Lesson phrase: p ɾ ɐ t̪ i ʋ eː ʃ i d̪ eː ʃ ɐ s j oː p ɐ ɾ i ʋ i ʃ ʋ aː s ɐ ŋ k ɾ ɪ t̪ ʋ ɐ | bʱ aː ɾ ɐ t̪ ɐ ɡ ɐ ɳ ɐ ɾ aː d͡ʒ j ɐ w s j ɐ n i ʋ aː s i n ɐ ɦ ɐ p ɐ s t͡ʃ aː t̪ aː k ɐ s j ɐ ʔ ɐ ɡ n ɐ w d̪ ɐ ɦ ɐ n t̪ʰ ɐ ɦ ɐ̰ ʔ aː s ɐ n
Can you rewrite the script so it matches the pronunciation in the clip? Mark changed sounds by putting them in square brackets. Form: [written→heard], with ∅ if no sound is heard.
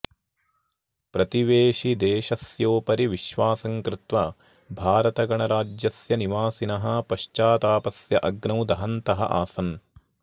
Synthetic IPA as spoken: p ɾ ɐ t̪ i ʋ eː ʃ i d̪ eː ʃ ɐ s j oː p ɐ ɾ i ʋ i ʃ ʋ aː s ɐ ŋ k ɾ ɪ t̪ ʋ ɐ | bʱ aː ɾ ɐ t̪ ɐ ɡ ɐ ɳ ɐ ɾ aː d͡ʒ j ɐ [w→∅] s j ɐ n i ʋ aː s i n ɐ ɦ ɐ p ɐ [s→ʃ] t͡ʃ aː t̪ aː [k→p] ɐ s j ɐ ʔ ɐ ɡ n ɐ w d̪ ɐ ɦ ɐ n [t̪ʰ→t̪] ɐ ɦ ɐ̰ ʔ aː s ɐ n